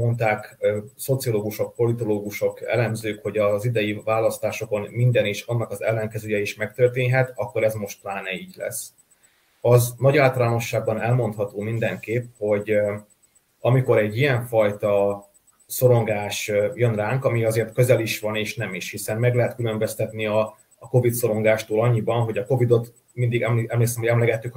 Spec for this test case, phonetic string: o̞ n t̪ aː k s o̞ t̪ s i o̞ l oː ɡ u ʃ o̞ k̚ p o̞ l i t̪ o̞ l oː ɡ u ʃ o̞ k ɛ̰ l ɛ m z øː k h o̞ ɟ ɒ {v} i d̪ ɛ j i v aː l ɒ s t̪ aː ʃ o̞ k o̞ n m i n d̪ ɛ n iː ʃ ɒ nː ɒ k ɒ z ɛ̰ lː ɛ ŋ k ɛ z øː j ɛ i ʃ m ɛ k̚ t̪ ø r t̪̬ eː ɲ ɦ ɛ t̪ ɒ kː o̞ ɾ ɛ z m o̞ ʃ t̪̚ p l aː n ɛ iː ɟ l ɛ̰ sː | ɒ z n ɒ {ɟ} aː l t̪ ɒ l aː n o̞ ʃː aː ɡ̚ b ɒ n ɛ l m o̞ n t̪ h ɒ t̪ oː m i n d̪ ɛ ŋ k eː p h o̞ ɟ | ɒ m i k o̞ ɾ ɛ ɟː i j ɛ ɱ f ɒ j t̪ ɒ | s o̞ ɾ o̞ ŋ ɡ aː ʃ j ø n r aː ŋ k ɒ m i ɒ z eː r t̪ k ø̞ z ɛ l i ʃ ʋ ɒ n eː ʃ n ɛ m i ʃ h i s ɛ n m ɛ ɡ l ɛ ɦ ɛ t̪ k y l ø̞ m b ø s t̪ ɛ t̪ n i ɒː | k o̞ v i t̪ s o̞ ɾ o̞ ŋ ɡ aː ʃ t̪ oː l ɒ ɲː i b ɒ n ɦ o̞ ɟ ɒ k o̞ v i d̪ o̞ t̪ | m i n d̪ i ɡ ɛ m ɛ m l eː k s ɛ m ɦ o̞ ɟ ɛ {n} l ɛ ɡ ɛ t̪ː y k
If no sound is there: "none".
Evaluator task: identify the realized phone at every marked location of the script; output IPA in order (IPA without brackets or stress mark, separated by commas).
z, ɟ, m